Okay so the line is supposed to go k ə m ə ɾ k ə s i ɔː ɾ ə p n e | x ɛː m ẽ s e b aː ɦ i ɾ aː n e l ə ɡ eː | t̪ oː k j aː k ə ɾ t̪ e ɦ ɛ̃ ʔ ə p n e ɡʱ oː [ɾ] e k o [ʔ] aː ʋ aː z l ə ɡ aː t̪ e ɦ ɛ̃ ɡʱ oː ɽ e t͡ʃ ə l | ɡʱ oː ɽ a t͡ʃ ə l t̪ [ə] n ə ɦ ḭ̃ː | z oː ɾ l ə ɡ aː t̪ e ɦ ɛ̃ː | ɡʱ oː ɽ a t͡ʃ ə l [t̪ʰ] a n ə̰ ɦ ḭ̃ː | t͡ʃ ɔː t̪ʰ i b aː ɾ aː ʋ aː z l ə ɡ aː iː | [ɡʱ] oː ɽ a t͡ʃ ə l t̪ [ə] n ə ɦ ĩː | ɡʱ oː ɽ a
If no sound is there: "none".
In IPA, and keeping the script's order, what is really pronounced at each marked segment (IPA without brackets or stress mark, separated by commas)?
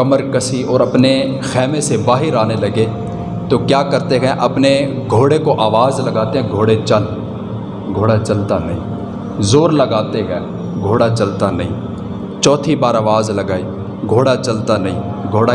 ɽ, ʔ, a, t̪, ɡʱ, a